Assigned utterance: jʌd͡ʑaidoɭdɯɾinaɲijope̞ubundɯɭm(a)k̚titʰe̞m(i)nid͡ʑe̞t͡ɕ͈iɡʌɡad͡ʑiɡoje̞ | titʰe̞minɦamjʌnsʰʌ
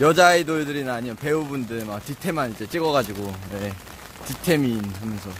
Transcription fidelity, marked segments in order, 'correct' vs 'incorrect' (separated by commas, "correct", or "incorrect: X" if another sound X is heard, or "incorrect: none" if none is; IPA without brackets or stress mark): correct, incorrect: a